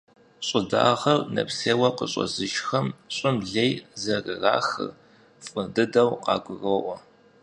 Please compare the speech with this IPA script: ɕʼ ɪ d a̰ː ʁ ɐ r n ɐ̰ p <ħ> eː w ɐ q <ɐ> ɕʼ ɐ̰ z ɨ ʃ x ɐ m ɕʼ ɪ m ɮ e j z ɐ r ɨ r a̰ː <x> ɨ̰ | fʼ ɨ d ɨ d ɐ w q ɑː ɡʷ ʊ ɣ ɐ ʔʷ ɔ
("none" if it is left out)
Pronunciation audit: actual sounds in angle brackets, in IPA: s, ə, x

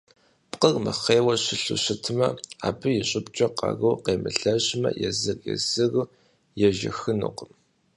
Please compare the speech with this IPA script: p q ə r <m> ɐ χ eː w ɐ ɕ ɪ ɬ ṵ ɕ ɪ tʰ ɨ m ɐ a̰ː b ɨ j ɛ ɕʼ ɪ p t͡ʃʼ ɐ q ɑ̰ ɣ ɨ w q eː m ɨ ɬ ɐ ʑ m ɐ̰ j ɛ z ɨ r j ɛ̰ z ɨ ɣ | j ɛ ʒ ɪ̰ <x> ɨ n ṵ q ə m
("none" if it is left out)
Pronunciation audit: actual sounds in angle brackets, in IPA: m, x

